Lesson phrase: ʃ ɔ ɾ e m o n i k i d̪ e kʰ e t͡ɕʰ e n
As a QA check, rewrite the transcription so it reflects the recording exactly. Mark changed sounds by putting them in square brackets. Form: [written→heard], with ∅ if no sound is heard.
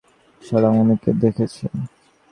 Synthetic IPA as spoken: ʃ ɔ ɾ [e→a] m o n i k [i→e] d̪ e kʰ e t͡ɕʰ e n